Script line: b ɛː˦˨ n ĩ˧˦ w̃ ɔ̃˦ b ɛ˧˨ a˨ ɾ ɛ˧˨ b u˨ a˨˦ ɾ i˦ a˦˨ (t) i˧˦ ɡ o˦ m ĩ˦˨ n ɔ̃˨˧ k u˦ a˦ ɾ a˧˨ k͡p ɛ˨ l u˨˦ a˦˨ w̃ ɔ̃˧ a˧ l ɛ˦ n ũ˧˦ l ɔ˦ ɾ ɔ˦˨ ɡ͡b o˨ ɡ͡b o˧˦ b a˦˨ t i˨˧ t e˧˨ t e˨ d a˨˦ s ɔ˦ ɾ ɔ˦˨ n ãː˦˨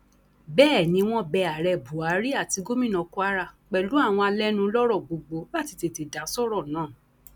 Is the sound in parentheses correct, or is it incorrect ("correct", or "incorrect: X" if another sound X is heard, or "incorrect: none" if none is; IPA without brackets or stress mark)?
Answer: correct